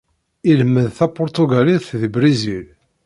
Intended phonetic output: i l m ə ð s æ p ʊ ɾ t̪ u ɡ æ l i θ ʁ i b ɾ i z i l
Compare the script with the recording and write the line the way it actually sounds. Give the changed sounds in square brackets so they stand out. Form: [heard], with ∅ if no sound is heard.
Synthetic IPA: i l m ə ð [θ] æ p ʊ ɾ t̪ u ɡ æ l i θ [ð] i b ɾ i z i l